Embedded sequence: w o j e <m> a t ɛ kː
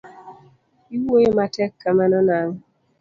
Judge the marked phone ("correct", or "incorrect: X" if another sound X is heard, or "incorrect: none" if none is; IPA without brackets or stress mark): correct